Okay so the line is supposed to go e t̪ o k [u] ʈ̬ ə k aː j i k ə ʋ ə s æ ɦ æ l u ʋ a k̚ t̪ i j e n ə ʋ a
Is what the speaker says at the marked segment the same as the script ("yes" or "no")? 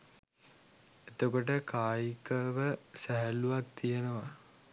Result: no